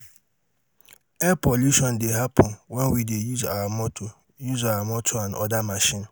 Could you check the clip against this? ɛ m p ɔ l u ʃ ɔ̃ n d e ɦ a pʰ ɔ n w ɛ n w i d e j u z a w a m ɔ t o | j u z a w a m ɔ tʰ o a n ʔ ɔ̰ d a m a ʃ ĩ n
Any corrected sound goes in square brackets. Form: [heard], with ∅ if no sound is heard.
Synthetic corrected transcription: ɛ [∅] p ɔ l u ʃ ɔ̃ n d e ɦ a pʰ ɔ n w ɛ n w i d e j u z a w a m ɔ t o | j u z a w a m ɔ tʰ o a n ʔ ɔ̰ d a m a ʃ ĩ n